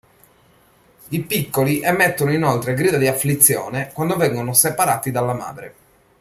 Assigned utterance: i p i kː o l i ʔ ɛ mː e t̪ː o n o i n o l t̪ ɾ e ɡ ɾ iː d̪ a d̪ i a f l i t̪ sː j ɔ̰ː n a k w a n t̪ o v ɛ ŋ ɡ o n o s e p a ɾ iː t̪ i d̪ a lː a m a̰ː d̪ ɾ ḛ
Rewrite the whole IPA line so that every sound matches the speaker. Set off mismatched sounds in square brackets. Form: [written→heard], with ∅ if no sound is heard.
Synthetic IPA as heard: i p i kː o l i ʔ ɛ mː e t̪ː o n o i n o l t̪ ɾ e ɡ ɾ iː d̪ a d̪ i a f l i t̪ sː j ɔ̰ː n [a→e] k w a n [t̪→d̪] o v ɛ ŋ ɡ o n o s e p a ɾ [iː→aː] t̪ i d̪ a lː a m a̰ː d̪ ɾ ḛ